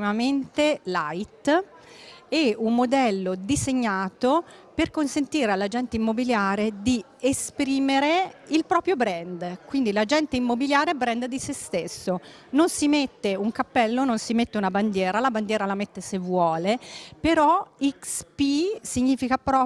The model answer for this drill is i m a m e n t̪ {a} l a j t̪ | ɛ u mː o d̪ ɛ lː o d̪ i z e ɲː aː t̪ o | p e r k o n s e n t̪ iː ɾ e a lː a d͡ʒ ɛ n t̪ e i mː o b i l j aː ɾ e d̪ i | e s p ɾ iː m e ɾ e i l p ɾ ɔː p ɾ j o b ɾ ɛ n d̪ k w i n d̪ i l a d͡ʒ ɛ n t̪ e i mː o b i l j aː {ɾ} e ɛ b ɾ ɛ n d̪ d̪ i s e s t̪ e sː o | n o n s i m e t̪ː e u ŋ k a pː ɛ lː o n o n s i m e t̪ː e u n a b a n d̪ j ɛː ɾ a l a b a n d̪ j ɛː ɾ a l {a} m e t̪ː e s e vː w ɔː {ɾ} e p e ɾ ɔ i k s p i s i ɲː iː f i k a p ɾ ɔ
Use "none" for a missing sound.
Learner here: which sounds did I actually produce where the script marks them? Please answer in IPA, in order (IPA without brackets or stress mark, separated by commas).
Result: e, ɾ, a, l